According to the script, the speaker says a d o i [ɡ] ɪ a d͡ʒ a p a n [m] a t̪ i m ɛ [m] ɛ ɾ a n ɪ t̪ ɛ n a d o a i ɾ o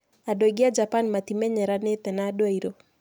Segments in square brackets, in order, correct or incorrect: correct, correct, incorrect

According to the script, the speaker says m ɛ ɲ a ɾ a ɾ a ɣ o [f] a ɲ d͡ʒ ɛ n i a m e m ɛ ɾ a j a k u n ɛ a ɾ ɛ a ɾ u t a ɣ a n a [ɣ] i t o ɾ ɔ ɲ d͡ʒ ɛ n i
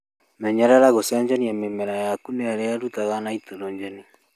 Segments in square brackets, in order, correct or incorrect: incorrect, incorrect

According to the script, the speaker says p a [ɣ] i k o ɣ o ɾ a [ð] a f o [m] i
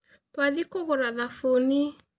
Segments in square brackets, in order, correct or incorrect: incorrect, correct, incorrect

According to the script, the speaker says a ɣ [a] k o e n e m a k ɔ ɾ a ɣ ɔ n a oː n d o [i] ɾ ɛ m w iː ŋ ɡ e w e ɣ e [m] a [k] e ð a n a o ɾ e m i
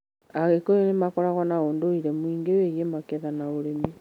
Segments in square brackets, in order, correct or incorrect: incorrect, correct, correct, correct

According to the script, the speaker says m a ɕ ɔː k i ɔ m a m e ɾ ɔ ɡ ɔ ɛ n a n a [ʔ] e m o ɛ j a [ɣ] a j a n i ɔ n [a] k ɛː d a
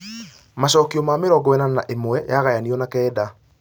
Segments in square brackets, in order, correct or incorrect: correct, correct, correct

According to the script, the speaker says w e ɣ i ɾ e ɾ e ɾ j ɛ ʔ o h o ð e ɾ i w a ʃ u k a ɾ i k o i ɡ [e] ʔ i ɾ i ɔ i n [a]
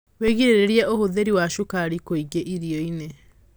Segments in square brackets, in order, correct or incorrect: correct, incorrect

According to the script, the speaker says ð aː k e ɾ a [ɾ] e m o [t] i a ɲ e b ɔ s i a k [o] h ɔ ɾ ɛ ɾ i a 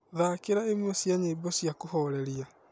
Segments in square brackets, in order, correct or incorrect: incorrect, incorrect, correct

